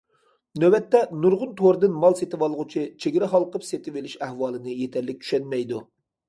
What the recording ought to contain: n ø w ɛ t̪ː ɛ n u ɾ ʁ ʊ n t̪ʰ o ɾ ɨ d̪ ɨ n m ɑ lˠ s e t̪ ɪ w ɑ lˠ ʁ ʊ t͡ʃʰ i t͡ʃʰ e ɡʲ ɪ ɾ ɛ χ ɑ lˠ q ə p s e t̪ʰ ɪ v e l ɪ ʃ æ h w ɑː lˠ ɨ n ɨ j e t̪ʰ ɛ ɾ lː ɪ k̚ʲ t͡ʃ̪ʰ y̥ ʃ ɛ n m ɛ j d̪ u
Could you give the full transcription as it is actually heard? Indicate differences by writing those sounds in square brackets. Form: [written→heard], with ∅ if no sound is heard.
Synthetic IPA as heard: n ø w ɛ t̪ː ɛ n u ɾ ʁ ʊ n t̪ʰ o ɾ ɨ d̪ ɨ n m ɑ lˠ s e t̪ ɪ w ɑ lˠ ʁ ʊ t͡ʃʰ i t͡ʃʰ e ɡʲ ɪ ɾ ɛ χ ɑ lˠ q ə p s e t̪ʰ ɪ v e l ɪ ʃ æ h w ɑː lˠ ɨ n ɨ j e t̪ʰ ɛ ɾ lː ɪ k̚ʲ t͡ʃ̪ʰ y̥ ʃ ɛ n m ɛ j d̪ u